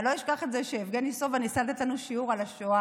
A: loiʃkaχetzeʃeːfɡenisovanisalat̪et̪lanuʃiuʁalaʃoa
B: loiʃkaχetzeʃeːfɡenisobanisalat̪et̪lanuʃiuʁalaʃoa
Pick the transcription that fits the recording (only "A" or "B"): A